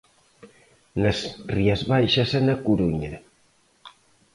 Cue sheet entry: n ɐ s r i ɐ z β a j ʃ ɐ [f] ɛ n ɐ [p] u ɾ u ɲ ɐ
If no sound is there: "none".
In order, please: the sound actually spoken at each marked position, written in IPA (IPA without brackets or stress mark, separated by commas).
s, k